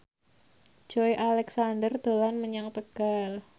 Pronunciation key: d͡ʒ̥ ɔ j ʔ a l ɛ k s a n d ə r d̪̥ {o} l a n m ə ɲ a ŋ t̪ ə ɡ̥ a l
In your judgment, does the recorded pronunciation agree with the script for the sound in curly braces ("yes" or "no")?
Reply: yes